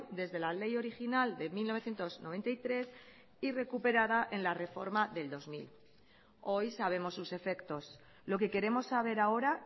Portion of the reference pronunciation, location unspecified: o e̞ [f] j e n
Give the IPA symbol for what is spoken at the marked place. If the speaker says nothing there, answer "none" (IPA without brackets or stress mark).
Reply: θ